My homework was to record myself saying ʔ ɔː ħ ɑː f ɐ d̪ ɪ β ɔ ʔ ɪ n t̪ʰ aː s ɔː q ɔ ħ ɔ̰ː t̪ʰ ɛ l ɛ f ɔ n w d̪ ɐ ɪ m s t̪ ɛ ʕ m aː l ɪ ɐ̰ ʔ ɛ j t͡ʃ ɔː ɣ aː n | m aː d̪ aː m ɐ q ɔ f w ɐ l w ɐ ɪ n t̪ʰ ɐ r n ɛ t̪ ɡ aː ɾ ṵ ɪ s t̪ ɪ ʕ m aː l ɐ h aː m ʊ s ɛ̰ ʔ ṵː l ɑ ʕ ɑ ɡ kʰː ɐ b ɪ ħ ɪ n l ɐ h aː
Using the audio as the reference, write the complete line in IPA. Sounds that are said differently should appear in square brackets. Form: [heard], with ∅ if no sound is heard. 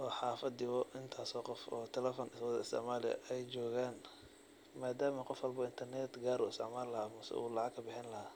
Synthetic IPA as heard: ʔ ɔː ħ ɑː f ɐ d̪ ɪ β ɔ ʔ ɪ n t̪ʰ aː s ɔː q ɔ [f] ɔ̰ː t̪ʰ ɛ l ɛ f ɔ n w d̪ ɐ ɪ [∅] s t̪ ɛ ʕ m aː l ɪ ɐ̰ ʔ ɛ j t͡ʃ ɔː ɣ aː n | m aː d̪ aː m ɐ q ɔ f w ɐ l [b] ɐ ɪ n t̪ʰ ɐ r n ɛ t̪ ɡ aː ɾ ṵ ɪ s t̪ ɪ ʕ m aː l ɐ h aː m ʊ s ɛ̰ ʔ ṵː l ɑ ʕ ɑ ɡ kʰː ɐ b ɪ ħ ɪ n l ɐ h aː